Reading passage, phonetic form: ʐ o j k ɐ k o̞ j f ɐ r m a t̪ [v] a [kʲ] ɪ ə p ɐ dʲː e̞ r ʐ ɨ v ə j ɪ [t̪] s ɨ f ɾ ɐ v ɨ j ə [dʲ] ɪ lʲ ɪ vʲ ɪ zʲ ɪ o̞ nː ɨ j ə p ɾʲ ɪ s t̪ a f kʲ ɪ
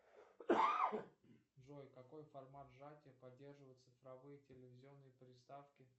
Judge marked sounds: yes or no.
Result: no, no, yes, no

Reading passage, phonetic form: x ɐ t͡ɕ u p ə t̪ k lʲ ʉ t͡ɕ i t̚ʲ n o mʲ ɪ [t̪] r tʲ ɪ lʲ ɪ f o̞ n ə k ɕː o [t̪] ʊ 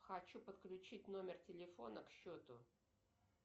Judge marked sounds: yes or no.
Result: no, yes

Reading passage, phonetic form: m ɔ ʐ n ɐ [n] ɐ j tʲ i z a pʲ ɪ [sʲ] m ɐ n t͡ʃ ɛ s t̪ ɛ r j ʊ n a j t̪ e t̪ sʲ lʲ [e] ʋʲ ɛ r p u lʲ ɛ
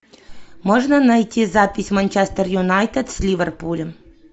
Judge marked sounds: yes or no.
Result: yes, yes, no

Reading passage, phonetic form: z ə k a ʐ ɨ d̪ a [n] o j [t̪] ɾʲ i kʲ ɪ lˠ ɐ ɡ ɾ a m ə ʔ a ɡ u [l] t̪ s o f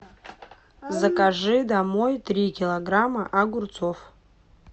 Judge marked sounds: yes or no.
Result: no, yes, no

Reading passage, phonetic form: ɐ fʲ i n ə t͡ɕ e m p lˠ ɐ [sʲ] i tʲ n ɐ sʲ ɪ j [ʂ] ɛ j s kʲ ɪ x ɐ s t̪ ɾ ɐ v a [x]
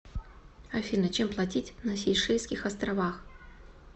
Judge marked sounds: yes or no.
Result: no, yes, yes

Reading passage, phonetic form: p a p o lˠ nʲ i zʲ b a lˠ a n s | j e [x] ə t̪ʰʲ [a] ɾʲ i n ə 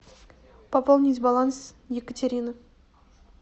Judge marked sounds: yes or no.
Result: no, no

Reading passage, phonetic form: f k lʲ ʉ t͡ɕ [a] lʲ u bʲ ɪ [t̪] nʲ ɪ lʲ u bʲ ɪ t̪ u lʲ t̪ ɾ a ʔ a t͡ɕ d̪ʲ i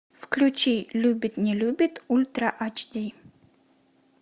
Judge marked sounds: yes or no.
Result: no, yes

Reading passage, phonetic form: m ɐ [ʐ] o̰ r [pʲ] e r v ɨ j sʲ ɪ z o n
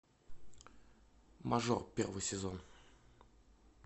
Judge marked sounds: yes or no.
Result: yes, yes

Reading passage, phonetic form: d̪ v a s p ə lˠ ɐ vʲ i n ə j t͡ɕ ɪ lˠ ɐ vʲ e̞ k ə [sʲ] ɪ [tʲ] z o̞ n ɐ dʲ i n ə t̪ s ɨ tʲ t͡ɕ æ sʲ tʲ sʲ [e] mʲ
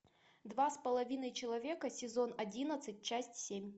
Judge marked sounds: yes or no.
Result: yes, no, yes

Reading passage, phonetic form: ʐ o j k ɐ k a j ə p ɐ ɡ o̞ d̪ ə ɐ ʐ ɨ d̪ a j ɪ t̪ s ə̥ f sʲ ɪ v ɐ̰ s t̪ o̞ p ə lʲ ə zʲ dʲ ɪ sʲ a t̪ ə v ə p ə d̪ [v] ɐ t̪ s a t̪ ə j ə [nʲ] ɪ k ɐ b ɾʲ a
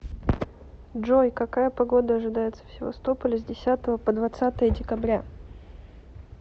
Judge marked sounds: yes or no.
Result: yes, no

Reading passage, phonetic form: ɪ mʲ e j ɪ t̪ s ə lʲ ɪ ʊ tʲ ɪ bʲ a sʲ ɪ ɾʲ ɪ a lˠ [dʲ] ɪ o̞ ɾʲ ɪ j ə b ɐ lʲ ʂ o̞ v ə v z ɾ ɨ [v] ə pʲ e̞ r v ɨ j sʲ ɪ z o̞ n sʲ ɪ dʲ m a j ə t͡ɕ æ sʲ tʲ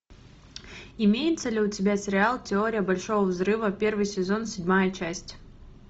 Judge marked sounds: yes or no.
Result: no, yes

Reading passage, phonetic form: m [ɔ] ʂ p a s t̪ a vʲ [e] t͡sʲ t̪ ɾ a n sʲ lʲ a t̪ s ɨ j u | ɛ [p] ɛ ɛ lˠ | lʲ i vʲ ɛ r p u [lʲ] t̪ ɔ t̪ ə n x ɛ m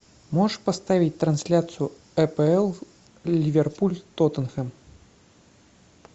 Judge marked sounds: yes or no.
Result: yes, no, yes, yes

